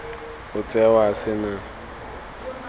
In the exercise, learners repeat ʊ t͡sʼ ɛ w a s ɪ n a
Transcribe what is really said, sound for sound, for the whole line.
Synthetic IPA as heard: ʊ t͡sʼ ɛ w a s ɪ n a